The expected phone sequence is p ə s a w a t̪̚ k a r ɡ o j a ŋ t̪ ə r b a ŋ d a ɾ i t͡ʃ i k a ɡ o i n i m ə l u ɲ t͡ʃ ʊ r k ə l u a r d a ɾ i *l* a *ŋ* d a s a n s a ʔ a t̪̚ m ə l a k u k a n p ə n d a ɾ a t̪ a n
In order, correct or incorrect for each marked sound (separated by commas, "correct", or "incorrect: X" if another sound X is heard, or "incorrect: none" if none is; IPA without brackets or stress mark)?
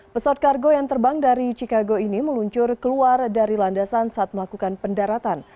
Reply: correct, incorrect: n